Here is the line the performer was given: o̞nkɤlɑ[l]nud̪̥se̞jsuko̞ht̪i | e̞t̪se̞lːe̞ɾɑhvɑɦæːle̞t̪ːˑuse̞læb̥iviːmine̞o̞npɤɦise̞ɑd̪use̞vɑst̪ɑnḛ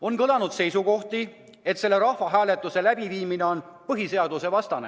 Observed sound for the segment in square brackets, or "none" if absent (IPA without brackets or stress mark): none